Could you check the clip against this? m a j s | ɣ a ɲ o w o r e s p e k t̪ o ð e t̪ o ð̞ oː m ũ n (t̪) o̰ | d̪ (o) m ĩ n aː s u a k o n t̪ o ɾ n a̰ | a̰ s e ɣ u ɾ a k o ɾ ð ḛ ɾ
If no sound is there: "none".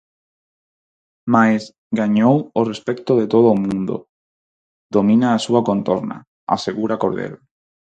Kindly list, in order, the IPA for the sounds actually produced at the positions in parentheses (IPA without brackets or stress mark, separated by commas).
d̪, o